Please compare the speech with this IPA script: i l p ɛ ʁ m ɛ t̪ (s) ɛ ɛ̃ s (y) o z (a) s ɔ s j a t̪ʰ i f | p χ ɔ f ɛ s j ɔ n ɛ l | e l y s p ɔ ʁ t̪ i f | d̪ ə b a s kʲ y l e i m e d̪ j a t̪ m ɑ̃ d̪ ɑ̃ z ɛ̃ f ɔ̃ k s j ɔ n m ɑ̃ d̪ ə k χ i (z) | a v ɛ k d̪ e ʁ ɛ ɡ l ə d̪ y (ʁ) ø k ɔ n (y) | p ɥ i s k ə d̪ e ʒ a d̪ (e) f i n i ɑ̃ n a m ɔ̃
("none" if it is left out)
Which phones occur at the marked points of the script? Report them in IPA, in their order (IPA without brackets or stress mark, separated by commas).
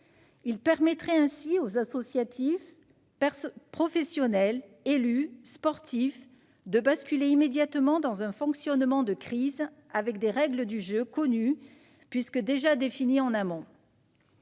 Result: χ, i, a, z, ʒ, y, e